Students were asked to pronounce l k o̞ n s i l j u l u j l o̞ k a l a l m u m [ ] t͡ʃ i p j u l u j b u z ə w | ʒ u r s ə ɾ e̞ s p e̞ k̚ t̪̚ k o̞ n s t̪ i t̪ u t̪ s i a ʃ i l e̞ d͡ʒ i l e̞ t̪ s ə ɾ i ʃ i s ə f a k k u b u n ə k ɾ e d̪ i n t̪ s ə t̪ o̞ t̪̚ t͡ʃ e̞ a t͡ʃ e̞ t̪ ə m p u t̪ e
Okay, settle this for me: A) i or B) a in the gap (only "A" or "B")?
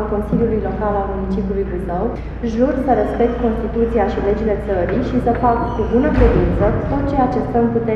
A